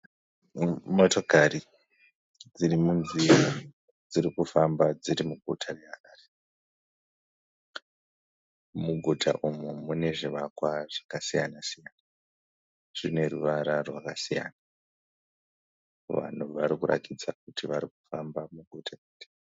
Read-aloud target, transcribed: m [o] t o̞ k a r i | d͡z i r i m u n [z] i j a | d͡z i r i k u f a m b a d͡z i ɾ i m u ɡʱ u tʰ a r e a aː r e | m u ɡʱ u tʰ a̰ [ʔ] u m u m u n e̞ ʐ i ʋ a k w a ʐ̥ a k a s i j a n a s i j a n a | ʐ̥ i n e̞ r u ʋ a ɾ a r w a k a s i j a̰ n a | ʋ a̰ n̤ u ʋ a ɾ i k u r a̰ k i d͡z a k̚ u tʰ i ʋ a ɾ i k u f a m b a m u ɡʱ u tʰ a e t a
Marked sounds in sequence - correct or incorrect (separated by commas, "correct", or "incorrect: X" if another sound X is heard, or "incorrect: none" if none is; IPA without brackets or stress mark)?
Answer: correct, correct, correct